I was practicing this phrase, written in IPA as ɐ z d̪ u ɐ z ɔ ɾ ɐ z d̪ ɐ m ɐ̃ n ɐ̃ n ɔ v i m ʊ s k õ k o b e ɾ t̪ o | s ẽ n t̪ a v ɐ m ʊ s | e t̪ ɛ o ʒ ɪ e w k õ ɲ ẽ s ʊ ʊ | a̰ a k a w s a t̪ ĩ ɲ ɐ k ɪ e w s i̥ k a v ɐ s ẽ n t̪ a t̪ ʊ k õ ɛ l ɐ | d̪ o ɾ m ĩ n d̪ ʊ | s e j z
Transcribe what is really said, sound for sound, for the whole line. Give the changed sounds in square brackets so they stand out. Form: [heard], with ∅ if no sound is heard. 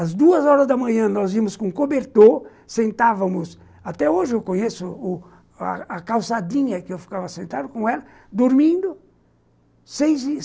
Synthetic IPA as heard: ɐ z d̪ u ɐ z ɔ ɾ ɐ z d̪ ɐ m ɐ̃ [ɲ] ɐ̃ n ɔ [z] i m ʊ s k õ k o b e ɾ t̪ o | s ẽ n t̪ a v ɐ m ʊ s | [a] t̪ ɛ o ʒ ɪ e w k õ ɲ [e] s ʊ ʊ | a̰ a k a w s a [d̪] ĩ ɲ ɐ k ɪ e w [f] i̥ k a v ɐ s ẽ n t̪ a [d̪] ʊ k õ ɛ l ɐ | d̪ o ɾ m ĩ n d̪ ʊ | s e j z